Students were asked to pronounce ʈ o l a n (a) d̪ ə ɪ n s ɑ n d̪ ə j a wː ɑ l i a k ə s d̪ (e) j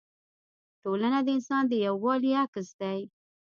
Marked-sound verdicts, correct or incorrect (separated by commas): correct, incorrect